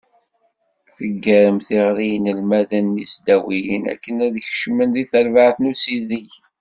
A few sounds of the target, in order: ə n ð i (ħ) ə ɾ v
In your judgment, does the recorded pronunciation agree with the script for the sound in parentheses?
no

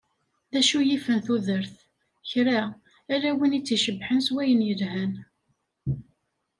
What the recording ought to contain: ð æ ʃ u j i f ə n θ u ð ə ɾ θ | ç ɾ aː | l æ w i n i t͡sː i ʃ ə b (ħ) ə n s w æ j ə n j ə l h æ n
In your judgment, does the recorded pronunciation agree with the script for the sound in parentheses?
yes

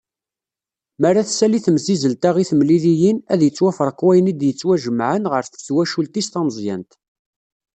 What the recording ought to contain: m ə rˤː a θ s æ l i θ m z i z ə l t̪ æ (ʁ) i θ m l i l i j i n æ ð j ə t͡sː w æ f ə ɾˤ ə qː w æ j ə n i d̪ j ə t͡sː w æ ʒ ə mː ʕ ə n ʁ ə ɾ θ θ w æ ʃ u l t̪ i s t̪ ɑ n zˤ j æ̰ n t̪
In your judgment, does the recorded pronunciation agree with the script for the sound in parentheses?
yes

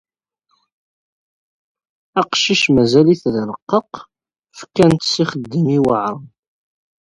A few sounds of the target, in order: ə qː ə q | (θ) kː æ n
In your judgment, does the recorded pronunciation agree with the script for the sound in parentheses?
no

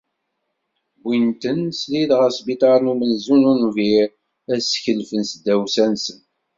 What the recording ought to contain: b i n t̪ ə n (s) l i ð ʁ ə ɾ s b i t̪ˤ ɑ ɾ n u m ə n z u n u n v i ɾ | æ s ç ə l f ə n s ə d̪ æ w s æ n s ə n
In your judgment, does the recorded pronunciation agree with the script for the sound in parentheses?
yes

